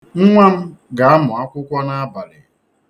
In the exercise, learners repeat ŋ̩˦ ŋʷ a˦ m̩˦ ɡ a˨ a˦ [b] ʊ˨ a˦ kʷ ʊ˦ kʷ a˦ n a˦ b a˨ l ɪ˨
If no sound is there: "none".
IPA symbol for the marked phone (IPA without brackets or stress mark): m